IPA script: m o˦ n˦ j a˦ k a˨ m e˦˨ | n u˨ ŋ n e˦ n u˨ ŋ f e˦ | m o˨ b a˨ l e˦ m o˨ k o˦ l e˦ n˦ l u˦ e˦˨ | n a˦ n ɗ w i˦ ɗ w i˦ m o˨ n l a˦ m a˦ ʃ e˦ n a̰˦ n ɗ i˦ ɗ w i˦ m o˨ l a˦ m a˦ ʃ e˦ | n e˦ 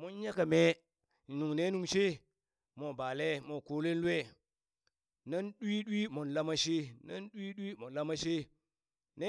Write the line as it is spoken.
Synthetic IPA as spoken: m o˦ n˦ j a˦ k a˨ m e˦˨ | n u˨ ŋ n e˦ n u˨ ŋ ʃ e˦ | m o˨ b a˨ l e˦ m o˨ k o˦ l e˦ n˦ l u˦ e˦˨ | n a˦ n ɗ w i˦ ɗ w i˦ m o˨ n l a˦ m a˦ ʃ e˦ n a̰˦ n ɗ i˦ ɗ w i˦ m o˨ l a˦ m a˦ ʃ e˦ | n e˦